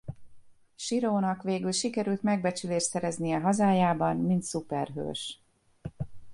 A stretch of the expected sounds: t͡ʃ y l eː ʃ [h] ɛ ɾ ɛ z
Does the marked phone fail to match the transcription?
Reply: yes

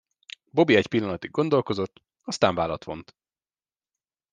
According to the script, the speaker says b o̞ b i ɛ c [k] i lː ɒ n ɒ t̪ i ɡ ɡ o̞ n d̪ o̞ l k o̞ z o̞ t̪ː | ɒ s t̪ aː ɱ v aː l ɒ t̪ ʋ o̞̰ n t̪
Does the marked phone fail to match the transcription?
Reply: yes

